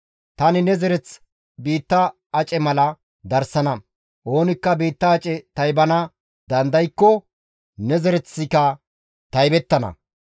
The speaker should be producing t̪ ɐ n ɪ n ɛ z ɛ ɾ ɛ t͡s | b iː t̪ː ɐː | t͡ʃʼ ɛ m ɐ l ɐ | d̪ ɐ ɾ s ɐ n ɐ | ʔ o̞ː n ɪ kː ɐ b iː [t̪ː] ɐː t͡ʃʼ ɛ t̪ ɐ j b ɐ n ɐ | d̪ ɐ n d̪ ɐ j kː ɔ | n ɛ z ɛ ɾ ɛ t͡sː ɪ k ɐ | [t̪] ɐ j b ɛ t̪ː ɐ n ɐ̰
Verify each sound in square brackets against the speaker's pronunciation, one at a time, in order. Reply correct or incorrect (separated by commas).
correct, correct